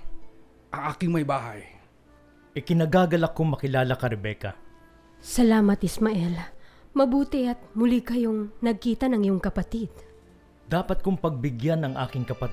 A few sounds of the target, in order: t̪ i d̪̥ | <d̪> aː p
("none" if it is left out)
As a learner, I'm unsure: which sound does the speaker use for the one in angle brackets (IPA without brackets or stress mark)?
d̪